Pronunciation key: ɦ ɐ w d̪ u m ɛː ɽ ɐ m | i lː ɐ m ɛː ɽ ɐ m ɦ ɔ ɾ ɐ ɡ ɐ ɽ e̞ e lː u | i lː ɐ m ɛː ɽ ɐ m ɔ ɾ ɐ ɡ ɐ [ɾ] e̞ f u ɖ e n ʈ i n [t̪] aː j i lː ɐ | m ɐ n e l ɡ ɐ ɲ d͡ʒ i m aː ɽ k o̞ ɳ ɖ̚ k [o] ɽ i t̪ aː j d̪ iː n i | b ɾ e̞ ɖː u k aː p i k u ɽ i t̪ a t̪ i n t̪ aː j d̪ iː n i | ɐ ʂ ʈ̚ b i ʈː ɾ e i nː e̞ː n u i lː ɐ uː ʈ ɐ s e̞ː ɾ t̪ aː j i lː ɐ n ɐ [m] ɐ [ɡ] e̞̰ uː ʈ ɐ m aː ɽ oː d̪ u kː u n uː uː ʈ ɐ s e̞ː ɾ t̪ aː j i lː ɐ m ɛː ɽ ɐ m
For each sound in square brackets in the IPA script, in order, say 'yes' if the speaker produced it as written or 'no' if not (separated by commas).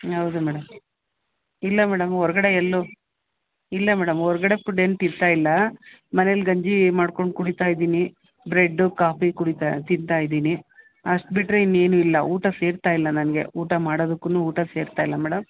no, yes, no, no, yes